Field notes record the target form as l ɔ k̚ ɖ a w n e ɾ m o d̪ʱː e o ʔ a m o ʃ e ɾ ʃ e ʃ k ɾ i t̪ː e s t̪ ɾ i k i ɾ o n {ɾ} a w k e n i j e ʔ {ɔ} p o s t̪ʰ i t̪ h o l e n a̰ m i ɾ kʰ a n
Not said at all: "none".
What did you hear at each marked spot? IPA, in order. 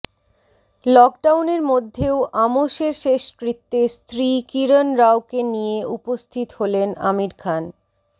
ɾ, u

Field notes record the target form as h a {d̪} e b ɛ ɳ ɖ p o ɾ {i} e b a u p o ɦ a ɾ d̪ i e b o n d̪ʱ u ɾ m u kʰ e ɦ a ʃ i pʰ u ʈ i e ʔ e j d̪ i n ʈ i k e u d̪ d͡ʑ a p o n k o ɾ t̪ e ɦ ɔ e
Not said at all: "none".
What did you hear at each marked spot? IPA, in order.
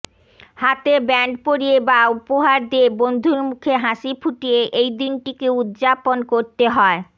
t̪, i

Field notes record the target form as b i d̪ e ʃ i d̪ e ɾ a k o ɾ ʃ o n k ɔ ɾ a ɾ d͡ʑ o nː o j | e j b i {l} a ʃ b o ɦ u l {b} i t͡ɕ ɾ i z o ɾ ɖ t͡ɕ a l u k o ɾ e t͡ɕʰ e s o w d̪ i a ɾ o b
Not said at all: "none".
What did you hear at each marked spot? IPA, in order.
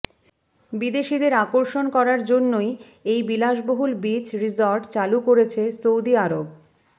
l, b

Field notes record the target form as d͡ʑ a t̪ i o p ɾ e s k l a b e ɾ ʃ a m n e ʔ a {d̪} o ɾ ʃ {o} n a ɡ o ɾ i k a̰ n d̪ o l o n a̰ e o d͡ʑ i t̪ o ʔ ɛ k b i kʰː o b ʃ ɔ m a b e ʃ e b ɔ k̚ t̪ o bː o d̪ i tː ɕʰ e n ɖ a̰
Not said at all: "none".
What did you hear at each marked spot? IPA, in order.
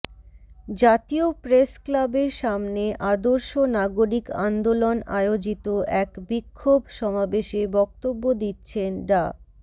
d̪, o

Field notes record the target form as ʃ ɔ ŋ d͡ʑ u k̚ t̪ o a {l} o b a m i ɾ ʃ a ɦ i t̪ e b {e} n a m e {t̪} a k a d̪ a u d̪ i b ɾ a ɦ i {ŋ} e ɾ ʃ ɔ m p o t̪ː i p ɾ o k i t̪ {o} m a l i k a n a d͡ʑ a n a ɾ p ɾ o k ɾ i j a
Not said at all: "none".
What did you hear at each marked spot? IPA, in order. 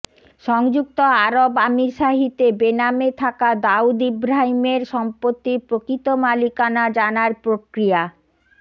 ɾ, e, t̪ʰ, m, o

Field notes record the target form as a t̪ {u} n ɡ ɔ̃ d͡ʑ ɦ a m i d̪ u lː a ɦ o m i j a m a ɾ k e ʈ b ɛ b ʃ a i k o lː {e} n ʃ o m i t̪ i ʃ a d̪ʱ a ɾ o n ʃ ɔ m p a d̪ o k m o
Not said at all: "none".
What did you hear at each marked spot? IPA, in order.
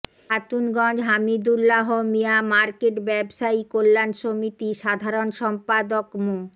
u, a

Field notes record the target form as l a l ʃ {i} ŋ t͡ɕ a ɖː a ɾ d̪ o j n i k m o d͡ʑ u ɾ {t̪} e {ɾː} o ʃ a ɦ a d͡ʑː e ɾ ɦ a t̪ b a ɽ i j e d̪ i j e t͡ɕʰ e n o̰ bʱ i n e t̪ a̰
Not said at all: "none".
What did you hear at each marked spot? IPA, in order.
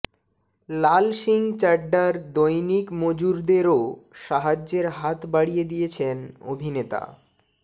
i, d̪, ɾ

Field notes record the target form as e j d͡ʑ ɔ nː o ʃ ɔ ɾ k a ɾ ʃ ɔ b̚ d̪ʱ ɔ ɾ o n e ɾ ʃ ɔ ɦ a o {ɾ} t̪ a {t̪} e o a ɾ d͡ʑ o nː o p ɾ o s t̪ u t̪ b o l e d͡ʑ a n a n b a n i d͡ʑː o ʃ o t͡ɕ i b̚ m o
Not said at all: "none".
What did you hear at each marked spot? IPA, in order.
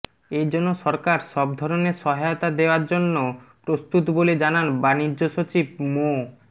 none, d̪

